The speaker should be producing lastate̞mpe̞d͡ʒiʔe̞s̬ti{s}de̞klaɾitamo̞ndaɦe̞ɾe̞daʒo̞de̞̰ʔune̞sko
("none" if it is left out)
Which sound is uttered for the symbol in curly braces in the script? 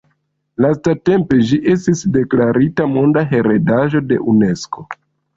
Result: s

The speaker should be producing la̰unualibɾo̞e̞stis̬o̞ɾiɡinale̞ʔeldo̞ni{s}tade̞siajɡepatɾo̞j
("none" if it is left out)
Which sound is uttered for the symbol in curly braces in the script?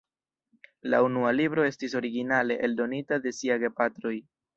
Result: none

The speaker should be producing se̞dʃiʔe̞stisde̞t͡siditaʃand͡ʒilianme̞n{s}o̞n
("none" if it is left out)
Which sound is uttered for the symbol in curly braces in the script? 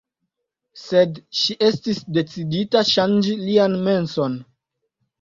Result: s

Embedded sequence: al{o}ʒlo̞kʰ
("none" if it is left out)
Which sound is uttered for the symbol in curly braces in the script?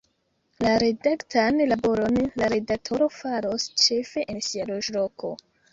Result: o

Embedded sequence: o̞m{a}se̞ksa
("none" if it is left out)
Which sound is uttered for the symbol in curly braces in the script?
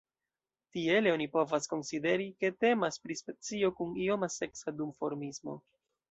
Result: a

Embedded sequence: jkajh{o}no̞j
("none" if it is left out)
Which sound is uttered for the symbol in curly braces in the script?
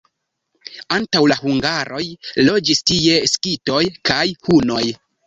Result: u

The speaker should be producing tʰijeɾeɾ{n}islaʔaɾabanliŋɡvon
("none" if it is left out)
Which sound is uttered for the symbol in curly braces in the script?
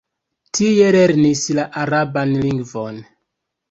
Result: n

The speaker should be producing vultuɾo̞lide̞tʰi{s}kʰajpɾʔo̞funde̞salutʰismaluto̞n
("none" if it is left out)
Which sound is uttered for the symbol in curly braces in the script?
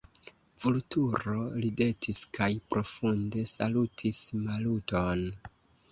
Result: s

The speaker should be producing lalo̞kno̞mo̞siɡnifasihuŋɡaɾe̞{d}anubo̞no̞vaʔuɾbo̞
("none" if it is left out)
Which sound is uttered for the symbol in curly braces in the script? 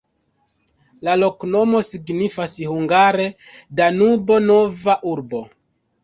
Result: d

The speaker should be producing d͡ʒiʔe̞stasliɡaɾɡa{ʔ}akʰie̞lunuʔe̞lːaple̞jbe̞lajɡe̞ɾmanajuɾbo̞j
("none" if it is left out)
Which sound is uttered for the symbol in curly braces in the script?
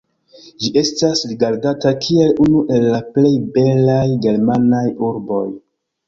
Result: t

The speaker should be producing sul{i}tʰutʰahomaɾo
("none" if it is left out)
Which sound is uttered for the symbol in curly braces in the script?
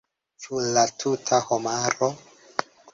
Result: a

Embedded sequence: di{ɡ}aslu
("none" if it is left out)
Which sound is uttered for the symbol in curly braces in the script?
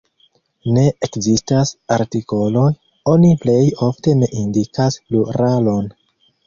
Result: k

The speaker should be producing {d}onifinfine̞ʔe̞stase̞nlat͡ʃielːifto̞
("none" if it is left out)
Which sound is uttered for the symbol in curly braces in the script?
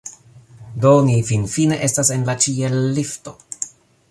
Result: d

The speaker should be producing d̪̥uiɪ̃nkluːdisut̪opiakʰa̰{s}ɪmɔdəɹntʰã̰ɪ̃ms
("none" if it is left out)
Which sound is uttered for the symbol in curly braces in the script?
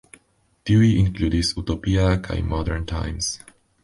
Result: none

